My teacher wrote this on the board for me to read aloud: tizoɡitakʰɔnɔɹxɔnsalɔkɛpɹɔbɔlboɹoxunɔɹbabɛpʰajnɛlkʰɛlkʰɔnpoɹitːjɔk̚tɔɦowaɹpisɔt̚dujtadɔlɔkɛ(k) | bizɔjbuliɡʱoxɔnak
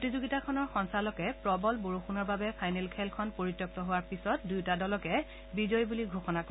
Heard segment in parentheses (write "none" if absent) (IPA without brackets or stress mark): none